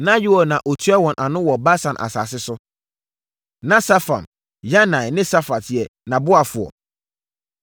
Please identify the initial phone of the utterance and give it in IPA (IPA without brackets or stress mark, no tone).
n